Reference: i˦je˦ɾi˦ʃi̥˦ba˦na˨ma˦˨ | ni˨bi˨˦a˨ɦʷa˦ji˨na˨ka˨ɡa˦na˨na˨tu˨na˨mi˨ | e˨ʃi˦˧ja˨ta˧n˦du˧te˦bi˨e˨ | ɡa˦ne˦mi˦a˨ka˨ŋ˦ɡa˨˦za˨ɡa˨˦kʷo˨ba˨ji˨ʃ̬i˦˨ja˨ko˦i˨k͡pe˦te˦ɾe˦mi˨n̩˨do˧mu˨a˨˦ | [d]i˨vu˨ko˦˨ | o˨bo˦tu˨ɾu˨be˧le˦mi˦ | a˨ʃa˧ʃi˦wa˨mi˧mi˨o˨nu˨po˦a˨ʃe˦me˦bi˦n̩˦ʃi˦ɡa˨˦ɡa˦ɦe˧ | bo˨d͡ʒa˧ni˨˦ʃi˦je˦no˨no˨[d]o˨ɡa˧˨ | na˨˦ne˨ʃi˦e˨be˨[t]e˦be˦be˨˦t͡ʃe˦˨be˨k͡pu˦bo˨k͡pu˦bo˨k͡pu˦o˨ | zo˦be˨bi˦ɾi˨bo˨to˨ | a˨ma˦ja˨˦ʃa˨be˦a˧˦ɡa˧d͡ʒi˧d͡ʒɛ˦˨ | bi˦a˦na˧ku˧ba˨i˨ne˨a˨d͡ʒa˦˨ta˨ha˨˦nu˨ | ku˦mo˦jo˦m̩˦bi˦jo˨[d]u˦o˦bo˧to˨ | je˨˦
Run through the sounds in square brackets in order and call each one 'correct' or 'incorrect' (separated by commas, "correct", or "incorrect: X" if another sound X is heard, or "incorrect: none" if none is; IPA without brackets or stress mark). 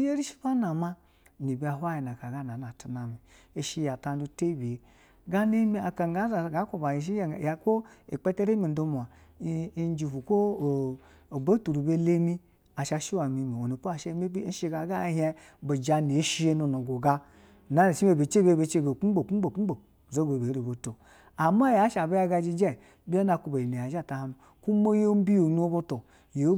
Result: incorrect: d͡ʒ, incorrect: ɡ, incorrect: t͡ʃ, incorrect: n